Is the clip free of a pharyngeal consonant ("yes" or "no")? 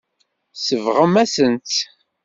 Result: yes